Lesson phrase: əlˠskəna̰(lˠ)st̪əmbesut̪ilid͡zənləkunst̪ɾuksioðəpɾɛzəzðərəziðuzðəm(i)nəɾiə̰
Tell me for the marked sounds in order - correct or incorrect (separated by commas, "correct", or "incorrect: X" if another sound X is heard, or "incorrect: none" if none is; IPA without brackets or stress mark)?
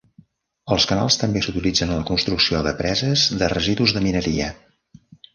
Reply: correct, correct